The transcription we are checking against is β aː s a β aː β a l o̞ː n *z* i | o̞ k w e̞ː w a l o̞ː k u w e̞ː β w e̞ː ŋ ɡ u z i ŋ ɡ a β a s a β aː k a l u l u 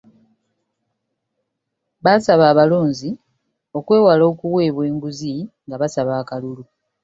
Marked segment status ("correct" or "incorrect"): correct